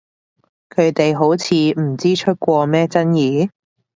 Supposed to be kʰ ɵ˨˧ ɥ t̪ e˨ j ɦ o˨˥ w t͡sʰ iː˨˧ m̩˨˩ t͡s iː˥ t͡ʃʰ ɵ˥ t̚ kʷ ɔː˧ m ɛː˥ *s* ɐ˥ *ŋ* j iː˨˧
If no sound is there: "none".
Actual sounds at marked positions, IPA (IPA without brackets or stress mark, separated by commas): t͡s, n